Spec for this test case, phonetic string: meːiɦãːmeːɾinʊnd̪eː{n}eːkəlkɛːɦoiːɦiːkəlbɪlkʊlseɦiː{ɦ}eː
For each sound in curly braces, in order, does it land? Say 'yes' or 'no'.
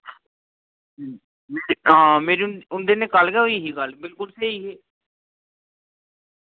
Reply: yes, yes

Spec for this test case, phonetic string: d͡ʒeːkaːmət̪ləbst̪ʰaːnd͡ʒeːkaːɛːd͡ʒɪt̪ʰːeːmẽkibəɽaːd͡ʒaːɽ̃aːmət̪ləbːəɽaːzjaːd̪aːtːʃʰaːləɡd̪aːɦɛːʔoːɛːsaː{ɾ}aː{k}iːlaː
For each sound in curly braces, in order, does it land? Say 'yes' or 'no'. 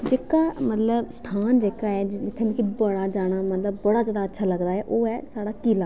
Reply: no, yes

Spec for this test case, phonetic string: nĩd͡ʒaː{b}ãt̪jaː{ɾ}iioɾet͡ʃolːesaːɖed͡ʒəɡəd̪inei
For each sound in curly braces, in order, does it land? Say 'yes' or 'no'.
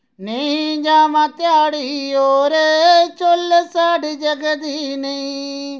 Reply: no, no

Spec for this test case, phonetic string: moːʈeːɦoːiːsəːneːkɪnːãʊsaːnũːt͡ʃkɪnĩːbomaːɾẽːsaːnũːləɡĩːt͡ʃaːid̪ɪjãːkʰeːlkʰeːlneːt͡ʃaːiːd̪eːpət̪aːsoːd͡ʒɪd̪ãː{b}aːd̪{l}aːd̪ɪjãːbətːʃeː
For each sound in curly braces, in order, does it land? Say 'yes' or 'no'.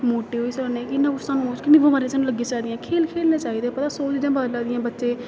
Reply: yes, yes

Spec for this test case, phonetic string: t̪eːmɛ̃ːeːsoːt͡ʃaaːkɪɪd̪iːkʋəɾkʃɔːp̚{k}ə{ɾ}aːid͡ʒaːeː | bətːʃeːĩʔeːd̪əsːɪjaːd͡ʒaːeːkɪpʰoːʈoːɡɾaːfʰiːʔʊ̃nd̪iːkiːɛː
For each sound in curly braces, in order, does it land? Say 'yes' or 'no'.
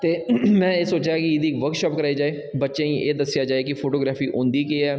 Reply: yes, yes

